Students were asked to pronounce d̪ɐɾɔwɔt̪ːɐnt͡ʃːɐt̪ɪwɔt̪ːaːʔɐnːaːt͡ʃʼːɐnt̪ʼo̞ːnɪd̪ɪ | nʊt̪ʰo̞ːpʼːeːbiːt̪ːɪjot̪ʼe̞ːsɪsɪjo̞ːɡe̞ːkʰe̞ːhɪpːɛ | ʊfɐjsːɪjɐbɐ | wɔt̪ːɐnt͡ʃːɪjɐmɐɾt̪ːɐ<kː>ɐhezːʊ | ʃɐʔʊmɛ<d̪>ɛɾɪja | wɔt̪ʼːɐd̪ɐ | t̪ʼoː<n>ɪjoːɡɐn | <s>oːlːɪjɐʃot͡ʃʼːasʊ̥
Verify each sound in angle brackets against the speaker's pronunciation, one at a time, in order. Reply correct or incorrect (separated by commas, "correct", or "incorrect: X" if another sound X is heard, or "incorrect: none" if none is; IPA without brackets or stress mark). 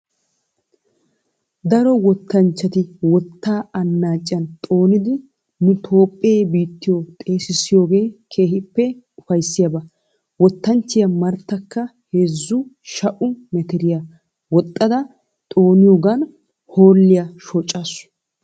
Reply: correct, incorrect: t̪, correct, incorrect: h